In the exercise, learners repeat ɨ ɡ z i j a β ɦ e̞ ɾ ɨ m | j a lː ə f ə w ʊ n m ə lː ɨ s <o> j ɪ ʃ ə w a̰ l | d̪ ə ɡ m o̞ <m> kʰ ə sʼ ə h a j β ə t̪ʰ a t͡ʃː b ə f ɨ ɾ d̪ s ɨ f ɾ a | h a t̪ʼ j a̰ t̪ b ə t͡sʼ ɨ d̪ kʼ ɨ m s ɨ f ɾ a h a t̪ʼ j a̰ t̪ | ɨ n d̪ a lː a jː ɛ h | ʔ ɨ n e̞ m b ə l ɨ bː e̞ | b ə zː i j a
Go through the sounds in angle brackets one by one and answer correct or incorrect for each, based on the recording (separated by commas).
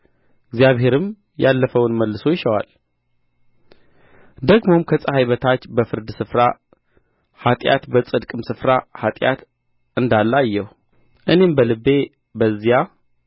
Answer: correct, correct